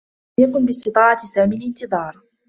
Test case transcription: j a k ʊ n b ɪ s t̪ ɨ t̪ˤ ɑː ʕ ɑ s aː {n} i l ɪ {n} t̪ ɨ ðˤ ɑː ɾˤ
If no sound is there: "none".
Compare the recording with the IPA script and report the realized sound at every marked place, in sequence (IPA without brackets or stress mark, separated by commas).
m, n